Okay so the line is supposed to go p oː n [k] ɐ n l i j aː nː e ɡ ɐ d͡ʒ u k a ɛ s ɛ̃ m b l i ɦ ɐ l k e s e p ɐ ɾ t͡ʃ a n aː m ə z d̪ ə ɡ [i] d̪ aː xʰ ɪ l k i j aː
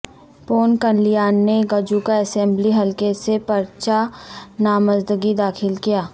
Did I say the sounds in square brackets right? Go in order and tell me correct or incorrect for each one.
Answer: correct, correct

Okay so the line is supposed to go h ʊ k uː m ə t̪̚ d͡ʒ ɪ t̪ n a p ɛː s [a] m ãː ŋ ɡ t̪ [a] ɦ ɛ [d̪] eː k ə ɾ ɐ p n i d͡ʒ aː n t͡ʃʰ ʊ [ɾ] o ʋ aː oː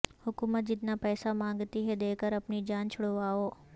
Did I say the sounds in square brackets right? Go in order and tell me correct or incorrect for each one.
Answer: correct, incorrect: i, correct, incorrect: ɽ

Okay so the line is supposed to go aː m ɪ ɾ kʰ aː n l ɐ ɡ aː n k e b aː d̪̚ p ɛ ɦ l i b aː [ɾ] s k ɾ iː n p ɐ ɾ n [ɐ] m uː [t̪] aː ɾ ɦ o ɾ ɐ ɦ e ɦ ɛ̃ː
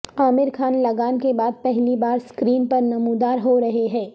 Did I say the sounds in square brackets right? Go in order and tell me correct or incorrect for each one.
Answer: correct, correct, incorrect: d̪

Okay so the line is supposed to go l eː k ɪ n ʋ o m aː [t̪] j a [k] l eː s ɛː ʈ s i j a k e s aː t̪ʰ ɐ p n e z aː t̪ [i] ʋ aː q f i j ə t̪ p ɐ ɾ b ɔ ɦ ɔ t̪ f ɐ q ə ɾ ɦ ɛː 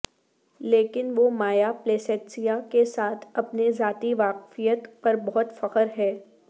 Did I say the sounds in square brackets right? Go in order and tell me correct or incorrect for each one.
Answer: incorrect: none, incorrect: p, correct

